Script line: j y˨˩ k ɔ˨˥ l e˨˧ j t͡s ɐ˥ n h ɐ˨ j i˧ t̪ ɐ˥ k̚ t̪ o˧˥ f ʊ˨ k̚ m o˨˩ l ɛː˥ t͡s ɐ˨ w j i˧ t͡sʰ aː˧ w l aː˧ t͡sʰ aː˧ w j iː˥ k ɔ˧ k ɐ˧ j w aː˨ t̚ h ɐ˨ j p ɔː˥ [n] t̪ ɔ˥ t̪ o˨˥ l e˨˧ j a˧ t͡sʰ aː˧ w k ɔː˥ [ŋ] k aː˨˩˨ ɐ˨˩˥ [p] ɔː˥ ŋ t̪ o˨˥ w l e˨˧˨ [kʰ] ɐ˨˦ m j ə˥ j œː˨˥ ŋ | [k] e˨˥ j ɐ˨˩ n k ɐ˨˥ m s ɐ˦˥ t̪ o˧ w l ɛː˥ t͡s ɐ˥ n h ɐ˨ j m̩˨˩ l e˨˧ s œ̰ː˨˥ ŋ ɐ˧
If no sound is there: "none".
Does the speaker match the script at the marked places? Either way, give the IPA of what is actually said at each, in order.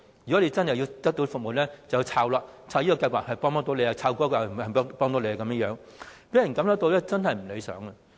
ŋ, none, p, k, p

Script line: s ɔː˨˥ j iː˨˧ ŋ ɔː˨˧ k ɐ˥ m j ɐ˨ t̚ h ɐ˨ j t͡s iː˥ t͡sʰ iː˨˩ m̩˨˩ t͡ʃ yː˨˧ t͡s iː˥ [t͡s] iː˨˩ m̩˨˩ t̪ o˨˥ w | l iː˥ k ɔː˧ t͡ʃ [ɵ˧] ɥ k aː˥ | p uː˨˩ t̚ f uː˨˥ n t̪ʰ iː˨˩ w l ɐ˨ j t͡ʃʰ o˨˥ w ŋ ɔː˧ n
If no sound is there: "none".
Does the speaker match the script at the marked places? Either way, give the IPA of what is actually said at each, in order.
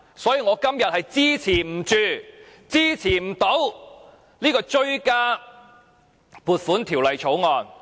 t͡sʰ, ɵ˥

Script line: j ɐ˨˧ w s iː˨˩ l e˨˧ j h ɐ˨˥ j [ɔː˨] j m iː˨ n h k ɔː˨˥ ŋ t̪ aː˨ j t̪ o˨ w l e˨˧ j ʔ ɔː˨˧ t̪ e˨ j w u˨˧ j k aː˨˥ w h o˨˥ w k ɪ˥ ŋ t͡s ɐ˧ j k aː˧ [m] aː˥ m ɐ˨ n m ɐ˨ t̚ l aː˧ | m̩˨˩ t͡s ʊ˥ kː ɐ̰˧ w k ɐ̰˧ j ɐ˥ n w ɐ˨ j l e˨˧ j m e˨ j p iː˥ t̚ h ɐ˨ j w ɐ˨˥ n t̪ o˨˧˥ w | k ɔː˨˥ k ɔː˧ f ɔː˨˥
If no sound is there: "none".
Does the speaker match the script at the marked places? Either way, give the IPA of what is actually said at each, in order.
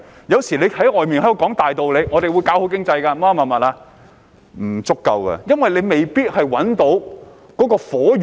ɔː˨, m

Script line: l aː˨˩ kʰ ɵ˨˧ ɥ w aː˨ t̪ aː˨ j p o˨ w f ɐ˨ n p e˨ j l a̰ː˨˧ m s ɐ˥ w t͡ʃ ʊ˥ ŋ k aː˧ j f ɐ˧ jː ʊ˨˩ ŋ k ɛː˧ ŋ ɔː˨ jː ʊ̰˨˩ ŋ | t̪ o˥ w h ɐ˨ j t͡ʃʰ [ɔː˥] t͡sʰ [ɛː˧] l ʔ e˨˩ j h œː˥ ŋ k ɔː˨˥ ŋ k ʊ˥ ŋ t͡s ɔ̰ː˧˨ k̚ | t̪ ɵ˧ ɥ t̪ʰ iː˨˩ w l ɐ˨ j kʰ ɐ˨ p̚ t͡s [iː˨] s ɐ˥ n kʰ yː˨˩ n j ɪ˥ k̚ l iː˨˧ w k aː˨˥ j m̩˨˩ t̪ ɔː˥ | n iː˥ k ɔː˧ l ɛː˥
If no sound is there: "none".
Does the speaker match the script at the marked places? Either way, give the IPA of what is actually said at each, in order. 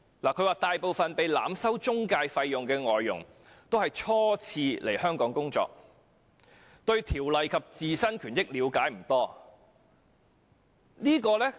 ɔː˥, iː˧, iː˨

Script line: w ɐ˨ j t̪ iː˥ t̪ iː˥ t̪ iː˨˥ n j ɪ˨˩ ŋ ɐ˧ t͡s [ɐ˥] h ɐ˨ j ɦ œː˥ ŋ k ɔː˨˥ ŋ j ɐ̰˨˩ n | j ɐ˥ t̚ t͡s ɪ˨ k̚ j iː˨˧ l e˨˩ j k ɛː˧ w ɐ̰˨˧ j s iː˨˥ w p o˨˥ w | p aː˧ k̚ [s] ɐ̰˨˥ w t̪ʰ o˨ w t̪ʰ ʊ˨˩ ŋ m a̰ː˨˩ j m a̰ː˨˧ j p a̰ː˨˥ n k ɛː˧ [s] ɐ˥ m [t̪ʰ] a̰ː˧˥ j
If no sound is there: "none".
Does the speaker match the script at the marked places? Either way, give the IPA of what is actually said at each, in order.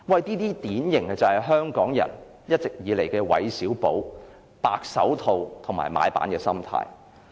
ɐ˨, s, s, t̪ʰ

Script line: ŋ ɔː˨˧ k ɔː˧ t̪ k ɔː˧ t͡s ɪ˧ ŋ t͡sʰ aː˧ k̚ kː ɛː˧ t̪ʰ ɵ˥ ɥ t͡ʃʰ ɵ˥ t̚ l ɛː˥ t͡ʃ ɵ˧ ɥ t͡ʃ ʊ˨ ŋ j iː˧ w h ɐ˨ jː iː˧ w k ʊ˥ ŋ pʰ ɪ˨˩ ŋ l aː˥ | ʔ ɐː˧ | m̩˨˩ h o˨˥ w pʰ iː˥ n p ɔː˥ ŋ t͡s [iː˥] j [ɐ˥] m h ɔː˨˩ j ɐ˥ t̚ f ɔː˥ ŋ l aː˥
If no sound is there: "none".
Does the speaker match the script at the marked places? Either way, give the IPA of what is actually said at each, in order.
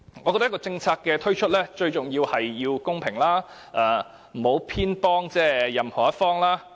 ɛː˥, ɐ˨

